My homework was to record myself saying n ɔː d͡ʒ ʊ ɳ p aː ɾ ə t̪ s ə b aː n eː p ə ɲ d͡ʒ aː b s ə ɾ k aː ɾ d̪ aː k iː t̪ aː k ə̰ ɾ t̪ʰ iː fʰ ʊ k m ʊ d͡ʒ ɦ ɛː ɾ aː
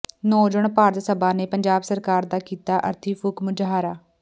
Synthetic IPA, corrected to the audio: n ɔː d͡ʒ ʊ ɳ p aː ɾ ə t̪ s ə b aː n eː p ə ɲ d͡ʒ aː b s ə ɾ k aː ɾ d̪ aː k iː t̪ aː ʔ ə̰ ɾ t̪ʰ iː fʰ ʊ k m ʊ d͡ʒ ɦ aː ɾ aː